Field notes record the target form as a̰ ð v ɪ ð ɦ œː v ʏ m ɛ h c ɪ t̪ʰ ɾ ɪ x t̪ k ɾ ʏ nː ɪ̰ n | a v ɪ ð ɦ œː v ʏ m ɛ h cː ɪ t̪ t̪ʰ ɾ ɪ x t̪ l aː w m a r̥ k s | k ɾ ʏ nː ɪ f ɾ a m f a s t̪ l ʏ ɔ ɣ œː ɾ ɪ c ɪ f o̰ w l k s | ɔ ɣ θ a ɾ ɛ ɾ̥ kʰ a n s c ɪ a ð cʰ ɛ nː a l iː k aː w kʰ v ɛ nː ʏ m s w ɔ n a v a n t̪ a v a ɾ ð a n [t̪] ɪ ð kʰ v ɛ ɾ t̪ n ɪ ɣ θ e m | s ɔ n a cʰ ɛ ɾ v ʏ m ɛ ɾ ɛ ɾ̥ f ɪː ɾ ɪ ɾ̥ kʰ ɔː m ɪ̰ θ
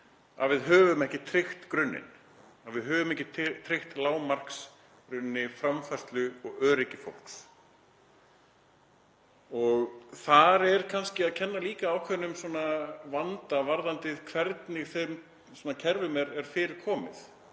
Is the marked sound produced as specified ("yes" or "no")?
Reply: yes